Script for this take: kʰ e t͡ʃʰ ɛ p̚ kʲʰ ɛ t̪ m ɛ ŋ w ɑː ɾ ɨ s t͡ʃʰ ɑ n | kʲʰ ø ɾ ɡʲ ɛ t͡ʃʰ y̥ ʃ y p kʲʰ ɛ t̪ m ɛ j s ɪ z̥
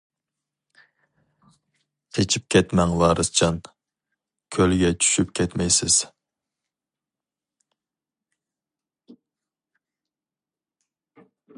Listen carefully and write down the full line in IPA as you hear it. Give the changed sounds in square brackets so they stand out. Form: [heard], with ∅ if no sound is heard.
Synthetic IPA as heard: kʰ e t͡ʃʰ [i] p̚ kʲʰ ɛ t̪ m ɛ ŋ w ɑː ɾ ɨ s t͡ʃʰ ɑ n | kʲʰ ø [l] ɡʲ ɛ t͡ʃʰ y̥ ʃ y p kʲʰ ɛ t̪ m ɛ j s ɪ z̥